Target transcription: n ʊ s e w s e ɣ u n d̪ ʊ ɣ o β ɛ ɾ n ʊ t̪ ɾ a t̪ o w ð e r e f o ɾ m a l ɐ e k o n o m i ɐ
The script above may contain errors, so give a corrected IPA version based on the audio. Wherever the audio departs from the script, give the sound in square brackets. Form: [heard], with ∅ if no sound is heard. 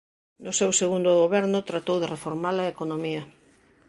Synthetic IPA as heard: n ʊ s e w s e ɣ u n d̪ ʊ ɣ o β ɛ ɾ n ʊ t̪ ɾ a t̪ o w ð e r e f o ɾ m a l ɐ e k o n o m i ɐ